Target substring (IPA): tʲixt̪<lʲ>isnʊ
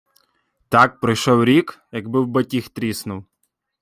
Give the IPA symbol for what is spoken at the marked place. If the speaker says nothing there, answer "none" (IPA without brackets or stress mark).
ɾʲ